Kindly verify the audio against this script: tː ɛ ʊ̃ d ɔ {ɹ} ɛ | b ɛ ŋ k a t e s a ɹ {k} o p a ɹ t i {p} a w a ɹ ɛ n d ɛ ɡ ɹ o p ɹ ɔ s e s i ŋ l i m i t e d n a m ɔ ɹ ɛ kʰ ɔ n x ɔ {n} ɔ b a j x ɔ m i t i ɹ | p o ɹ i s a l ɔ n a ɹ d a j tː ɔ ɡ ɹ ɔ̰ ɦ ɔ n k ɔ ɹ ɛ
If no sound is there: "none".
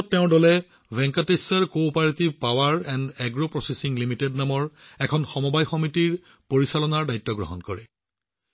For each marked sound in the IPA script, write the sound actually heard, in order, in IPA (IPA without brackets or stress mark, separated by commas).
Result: l, k, p, m